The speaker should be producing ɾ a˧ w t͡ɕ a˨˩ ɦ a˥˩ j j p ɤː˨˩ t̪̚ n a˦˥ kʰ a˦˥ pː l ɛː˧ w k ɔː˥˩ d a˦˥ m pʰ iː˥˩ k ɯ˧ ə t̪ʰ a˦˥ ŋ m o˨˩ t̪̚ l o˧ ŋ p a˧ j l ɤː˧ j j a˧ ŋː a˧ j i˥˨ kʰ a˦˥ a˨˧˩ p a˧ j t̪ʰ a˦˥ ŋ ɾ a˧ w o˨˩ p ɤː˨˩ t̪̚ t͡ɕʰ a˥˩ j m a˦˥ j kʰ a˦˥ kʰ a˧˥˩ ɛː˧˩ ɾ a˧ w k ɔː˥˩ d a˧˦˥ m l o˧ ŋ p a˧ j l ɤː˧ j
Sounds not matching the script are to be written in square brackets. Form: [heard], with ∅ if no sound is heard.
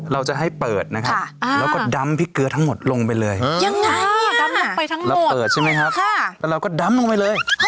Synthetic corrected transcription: ɾ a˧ w t͡ɕ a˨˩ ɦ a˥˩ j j p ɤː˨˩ t̪̚ n a˦˥ kʰ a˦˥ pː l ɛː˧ w k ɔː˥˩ d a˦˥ m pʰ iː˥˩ k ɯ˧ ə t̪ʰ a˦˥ ŋ m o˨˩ t̪̚ l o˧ ŋ p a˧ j l ɤː˧ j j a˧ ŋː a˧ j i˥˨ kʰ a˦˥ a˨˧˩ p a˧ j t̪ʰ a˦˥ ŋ ɾ a˧ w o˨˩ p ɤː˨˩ t̪̚ t͡ɕʰ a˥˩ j m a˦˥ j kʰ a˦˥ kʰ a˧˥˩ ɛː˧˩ ɾ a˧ w k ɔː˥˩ d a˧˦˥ m l o˧ ŋ p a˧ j l ɤː˧ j